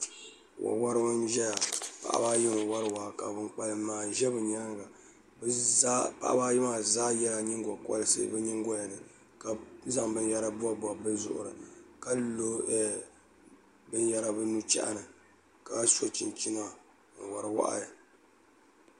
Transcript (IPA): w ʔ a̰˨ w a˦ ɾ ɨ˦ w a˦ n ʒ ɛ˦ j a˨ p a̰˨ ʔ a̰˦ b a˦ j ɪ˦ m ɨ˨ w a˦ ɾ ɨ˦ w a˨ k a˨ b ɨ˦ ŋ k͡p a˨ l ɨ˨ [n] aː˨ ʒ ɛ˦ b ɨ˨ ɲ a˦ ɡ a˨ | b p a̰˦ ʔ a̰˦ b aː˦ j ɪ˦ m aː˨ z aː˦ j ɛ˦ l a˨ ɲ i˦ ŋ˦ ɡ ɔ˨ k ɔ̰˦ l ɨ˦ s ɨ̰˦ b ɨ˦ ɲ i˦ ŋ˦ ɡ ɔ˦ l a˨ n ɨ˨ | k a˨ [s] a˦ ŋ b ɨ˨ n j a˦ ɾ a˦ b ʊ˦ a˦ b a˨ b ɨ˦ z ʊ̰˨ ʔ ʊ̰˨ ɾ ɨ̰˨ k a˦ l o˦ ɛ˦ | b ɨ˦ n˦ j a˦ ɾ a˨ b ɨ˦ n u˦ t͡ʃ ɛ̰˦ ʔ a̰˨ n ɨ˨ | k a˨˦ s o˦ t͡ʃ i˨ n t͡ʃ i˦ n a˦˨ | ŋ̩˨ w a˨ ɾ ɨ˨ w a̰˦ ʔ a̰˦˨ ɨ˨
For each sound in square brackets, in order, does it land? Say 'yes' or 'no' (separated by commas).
no, no